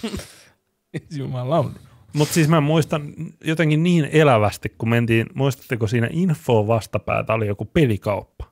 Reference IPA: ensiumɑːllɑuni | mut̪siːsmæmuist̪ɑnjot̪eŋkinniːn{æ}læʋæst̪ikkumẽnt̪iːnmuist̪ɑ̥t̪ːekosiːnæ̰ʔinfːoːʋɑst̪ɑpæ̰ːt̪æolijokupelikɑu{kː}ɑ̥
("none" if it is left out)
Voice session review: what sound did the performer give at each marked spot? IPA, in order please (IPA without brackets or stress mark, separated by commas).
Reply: e, pː